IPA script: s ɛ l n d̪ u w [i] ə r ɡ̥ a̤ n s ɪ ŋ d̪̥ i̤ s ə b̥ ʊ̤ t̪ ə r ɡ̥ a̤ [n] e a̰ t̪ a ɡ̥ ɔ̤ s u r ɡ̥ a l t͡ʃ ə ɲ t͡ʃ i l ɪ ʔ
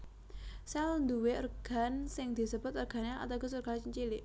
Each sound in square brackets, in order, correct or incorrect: incorrect, correct

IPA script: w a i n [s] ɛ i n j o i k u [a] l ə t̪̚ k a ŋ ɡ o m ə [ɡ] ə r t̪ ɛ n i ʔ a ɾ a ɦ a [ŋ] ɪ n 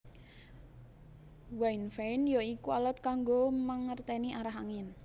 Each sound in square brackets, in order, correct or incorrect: incorrect, correct, incorrect, correct

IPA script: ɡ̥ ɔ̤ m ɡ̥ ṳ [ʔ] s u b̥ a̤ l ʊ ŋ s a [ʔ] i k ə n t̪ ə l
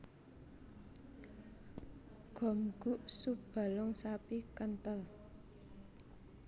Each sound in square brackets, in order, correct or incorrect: correct, incorrect

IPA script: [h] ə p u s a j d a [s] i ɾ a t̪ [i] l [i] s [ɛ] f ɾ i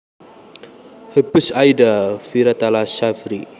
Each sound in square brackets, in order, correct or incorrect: correct, incorrect, incorrect, incorrect, incorrect

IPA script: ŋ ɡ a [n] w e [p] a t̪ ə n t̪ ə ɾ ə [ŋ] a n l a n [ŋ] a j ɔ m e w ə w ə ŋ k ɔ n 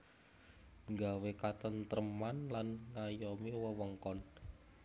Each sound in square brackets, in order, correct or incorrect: incorrect, incorrect, incorrect, correct

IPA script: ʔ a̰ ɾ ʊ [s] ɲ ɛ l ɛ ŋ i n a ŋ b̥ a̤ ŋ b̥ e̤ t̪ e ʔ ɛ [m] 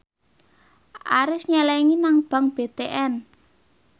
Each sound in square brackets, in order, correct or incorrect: correct, incorrect

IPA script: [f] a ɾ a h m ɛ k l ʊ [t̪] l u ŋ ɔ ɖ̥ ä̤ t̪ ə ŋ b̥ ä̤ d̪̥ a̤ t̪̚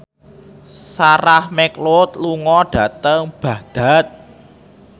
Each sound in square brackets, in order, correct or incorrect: incorrect, correct

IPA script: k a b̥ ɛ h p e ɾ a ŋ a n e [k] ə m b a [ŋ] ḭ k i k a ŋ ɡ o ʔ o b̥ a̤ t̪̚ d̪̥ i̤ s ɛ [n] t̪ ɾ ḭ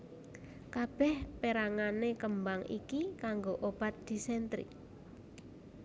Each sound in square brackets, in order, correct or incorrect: correct, correct, correct

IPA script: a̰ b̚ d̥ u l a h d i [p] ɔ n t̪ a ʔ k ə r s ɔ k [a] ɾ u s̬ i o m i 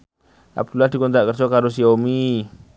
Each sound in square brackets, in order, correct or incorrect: incorrect, correct

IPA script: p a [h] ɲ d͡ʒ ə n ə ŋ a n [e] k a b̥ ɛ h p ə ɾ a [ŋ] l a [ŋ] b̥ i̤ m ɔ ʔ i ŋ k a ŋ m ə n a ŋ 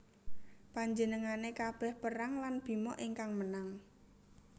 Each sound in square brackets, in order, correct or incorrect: incorrect, correct, correct, incorrect

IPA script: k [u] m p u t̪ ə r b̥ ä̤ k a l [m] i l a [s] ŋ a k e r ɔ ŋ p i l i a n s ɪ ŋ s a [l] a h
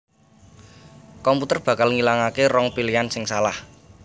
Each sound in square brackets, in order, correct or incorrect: incorrect, incorrect, incorrect, correct

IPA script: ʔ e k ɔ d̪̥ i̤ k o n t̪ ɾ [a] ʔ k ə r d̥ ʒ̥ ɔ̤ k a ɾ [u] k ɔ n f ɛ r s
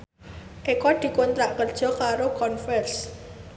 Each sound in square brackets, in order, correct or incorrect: correct, incorrect

